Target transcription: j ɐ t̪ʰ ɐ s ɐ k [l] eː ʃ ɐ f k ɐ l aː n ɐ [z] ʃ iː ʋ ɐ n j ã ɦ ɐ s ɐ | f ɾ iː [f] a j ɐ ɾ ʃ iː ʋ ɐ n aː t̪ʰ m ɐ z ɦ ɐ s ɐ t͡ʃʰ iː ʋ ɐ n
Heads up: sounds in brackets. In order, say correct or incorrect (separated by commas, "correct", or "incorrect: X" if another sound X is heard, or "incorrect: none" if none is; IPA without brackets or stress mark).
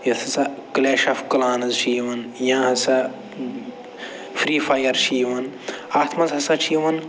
correct, correct, correct